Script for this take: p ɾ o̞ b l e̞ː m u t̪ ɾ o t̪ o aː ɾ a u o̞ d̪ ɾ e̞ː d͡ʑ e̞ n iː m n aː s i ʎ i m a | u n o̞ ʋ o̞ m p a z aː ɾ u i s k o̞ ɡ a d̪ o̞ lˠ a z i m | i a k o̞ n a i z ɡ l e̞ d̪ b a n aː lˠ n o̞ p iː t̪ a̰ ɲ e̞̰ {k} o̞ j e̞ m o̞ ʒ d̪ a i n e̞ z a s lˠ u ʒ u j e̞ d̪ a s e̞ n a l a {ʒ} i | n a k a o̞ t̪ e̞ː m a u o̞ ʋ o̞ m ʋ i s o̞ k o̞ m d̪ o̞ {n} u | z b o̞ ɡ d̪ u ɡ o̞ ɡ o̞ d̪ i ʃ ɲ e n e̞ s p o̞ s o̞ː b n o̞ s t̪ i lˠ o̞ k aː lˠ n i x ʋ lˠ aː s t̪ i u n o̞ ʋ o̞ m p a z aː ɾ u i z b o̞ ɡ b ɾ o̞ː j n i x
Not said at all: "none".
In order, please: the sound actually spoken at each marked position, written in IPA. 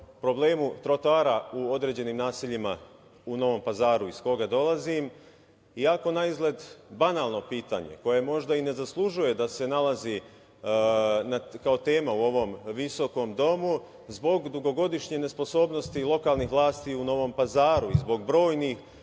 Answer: k, z, m

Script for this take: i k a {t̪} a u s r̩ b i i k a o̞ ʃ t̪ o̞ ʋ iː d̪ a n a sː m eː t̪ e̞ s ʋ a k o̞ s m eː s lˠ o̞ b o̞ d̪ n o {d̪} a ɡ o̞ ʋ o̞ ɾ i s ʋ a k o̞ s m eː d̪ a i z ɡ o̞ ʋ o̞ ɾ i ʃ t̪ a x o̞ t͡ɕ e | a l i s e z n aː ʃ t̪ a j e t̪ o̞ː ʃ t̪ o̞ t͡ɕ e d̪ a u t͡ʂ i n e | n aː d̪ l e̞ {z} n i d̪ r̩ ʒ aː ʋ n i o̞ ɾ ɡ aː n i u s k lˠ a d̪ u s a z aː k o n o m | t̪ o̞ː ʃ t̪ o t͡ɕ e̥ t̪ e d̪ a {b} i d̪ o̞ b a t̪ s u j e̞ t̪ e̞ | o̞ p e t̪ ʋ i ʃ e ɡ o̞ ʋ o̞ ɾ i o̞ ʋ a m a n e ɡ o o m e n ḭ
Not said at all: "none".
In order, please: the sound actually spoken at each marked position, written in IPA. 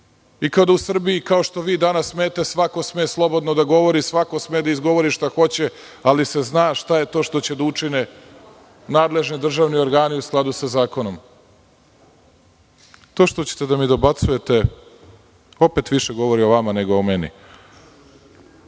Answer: d̪, d̪, ʒ, m

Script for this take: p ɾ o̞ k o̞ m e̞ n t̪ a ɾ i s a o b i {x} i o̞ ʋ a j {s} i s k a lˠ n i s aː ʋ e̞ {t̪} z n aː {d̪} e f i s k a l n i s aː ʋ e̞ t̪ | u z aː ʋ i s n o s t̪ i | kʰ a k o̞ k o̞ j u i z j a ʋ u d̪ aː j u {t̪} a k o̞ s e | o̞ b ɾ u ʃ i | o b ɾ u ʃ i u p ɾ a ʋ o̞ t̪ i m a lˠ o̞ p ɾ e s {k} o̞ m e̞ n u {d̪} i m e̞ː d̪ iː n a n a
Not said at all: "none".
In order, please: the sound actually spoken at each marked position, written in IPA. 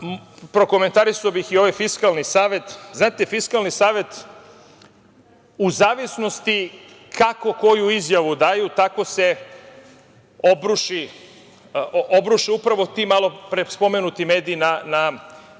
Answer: x, f, t̪, t̪, t̪, p, t̪

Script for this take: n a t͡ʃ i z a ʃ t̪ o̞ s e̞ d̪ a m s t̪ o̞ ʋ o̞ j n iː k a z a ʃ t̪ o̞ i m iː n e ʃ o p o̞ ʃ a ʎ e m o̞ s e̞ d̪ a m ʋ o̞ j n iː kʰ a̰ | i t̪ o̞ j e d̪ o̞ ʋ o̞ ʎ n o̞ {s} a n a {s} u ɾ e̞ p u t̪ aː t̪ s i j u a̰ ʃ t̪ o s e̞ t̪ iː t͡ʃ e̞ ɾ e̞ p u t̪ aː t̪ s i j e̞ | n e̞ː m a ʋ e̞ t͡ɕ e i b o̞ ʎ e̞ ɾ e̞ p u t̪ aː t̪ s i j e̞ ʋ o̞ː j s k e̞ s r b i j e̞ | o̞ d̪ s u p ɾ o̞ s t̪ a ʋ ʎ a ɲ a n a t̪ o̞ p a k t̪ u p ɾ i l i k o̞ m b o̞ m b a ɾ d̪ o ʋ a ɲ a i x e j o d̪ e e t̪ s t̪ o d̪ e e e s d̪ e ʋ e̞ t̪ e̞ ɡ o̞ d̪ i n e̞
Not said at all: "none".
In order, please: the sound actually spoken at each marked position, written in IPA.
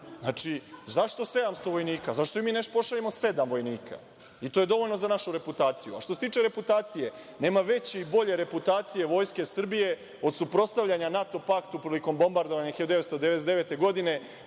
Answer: z, ʃ

